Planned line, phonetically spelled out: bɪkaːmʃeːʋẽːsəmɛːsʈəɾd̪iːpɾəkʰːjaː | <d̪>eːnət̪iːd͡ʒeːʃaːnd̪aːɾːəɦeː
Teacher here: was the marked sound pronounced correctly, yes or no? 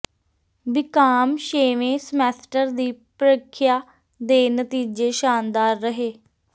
yes